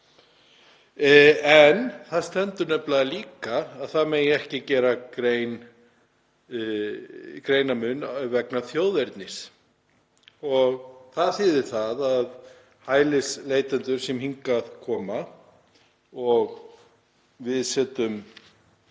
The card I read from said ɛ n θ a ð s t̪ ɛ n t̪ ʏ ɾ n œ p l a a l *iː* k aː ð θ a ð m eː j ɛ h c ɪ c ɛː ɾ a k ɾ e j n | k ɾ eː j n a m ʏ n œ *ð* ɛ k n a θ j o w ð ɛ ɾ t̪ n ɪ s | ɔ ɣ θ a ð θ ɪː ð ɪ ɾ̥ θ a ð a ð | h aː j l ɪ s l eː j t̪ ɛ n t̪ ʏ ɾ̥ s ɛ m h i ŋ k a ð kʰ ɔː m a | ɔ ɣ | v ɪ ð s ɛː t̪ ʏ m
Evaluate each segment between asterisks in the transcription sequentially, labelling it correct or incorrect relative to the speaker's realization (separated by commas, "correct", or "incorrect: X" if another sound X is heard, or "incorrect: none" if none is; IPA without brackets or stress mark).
correct, incorrect: v